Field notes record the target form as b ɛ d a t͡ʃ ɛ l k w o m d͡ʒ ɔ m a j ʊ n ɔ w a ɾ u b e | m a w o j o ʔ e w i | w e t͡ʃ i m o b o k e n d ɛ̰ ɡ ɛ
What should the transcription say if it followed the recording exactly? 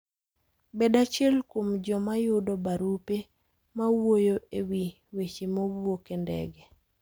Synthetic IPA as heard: b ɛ d a t͡ʃ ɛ l k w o m d͡ʒ ɔ m a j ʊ d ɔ b a ɾ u p e | m a w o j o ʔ e w i | w e t͡ʃ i m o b o k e n d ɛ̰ ɡ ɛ